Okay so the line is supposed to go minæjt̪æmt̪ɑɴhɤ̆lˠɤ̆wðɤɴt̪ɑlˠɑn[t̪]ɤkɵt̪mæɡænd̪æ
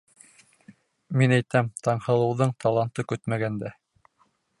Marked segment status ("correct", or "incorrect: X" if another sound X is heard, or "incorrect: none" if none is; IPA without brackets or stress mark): correct